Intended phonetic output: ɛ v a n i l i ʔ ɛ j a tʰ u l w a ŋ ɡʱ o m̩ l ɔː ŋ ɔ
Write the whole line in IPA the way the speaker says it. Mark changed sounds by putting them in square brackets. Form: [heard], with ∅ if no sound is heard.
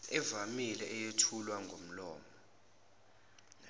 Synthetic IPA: ɛ v a [m] i l [ɛ] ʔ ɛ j [e] tʰ u l w a ŋ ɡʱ o m̩ l ɔː [m] ɔ